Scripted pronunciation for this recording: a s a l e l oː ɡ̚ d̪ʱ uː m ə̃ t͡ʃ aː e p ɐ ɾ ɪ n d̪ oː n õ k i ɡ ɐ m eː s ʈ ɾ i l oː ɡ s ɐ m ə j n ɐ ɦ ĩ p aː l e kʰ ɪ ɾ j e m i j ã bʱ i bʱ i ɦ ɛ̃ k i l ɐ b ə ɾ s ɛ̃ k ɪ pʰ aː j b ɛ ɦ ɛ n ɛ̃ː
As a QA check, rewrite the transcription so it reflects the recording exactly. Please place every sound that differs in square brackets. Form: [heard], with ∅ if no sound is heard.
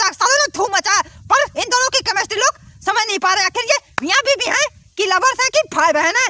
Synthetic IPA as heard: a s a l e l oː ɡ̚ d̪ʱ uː m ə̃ t͡ʃ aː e p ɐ ɾ ɪ n d̪ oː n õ k i [k] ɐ m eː s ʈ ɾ i l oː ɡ s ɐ m ə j n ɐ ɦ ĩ p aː [ɾ] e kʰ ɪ ɾ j e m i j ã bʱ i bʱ i ɦ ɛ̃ k i l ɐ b ə ɾ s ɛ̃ k [i] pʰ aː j b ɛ ɦ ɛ n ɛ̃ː